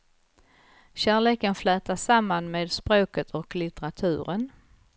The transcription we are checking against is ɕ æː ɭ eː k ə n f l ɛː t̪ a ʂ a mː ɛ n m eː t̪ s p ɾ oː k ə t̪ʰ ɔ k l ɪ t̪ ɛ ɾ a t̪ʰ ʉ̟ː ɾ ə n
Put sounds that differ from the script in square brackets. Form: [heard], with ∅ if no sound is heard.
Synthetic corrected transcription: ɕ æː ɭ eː k ə n f l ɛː t̪ a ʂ a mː [a] n m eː [d̪] s p ɾ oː k ə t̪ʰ ɔ k l ɪ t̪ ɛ ɾ a t̪ʰ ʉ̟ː ɾ ə n